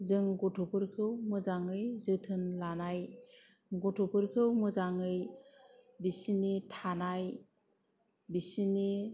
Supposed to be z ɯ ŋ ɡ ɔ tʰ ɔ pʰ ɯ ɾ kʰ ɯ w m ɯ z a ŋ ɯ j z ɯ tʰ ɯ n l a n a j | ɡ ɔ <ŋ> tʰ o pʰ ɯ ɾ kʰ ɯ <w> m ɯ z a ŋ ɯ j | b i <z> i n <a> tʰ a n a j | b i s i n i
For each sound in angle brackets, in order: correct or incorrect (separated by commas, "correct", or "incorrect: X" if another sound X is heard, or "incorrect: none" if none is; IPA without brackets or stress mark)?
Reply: incorrect: none, correct, incorrect: s, incorrect: i